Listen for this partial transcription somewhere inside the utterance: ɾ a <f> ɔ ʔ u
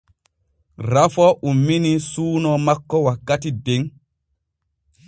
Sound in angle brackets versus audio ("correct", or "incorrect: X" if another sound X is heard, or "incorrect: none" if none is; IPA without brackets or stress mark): correct